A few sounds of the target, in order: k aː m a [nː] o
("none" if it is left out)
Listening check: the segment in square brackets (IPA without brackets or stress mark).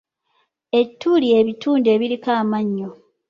ɲː